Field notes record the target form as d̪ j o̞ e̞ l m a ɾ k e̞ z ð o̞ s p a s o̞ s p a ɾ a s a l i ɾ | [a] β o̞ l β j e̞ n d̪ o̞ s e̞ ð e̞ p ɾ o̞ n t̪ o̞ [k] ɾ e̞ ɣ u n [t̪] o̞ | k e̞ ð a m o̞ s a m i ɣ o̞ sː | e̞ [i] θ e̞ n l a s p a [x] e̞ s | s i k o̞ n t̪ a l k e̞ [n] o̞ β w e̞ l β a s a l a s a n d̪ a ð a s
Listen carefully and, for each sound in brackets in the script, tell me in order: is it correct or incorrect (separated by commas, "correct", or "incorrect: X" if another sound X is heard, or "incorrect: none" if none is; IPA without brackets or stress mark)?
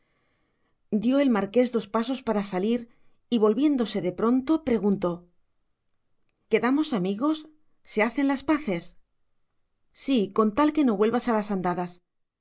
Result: incorrect: i, incorrect: p, correct, incorrect: a, incorrect: θ, correct